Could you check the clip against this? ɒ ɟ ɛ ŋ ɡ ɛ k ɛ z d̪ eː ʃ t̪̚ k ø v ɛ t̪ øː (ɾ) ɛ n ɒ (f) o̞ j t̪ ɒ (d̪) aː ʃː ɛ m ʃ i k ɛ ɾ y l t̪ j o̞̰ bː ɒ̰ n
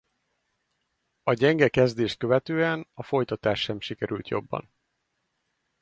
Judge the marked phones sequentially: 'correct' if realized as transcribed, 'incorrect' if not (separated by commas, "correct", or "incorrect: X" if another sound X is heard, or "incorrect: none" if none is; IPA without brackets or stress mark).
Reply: incorrect: none, correct, incorrect: t̪